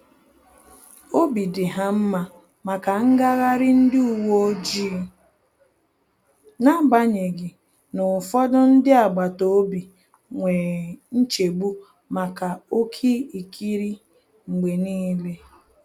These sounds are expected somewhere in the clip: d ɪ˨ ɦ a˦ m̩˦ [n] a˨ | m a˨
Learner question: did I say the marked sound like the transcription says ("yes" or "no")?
no